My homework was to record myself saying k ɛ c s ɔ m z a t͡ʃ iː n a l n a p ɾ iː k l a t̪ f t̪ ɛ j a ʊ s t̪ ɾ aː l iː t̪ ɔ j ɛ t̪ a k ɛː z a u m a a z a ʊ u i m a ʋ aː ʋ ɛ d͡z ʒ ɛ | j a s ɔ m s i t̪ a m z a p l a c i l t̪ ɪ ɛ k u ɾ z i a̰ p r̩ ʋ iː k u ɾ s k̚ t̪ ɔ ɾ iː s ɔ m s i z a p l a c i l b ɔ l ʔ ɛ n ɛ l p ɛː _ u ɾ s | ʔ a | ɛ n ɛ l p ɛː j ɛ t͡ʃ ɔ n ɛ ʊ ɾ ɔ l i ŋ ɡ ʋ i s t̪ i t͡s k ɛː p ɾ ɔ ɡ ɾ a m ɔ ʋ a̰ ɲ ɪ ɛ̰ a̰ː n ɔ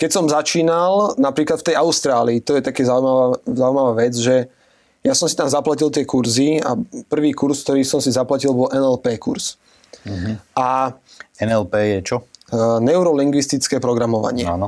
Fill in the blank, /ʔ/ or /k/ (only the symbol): k